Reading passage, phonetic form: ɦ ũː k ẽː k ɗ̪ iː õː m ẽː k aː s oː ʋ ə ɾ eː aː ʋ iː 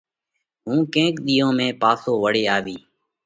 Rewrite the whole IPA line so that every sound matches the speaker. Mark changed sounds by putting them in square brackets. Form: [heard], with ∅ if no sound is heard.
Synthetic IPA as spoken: ɦ ũː k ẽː k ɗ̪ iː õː m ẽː [p] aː s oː ʋ ə [ɽ] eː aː ʋ iː